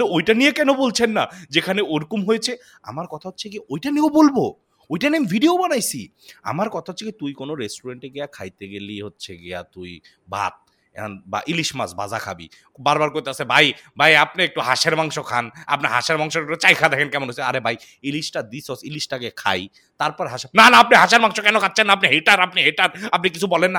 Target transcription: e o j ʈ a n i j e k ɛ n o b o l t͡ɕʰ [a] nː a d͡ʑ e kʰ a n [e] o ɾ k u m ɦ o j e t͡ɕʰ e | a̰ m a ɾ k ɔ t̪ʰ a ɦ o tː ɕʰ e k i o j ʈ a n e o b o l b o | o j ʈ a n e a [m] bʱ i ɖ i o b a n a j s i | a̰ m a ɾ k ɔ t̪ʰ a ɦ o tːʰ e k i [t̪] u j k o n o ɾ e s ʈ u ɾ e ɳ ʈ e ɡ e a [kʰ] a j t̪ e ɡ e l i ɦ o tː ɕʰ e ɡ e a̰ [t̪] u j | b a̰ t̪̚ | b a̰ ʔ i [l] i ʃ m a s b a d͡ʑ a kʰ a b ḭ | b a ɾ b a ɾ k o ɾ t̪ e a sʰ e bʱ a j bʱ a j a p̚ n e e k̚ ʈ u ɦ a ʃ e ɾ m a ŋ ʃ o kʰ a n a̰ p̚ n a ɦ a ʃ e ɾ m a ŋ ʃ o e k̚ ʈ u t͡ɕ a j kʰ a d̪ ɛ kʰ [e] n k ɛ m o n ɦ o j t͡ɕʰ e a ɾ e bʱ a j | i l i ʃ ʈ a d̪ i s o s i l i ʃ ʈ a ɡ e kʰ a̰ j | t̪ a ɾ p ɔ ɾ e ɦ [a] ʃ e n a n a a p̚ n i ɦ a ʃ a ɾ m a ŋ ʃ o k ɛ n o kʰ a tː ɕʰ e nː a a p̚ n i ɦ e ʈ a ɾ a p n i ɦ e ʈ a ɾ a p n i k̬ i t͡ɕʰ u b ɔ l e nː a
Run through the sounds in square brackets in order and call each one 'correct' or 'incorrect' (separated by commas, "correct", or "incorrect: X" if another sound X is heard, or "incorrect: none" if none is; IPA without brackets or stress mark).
incorrect: e, correct, correct, correct, correct, correct, correct, correct, correct